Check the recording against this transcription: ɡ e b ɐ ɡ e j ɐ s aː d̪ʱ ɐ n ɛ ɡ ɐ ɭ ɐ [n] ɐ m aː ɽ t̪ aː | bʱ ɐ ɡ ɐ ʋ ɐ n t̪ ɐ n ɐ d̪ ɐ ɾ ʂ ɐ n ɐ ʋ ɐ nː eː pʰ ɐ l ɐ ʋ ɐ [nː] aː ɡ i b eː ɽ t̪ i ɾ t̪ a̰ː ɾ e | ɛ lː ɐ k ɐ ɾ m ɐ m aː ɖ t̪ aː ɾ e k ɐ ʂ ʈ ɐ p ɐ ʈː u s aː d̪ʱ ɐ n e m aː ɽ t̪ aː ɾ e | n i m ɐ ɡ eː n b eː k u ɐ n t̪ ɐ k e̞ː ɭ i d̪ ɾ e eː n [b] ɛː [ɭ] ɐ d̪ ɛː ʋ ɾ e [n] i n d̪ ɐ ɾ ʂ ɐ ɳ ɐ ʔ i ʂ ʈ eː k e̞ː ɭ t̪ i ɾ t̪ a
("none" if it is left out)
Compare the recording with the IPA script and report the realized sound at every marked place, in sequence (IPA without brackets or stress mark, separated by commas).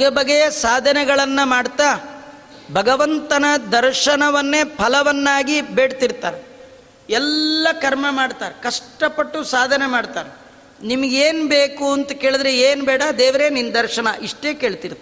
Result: nː, nː, b, ɽ, n